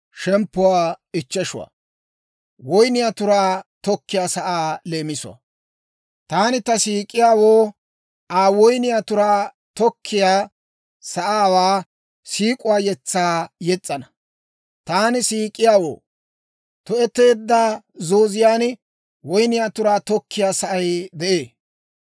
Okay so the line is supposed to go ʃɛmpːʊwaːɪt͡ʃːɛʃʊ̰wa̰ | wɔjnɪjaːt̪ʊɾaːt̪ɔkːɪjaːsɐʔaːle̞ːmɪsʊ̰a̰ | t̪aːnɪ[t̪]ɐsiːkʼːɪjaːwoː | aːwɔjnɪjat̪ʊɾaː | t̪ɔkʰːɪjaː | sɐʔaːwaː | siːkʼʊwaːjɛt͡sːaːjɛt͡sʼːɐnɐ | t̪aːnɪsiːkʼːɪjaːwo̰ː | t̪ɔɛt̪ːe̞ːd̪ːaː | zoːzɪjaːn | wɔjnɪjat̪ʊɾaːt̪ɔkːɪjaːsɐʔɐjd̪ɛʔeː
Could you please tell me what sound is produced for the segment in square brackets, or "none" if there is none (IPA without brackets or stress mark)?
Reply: t̪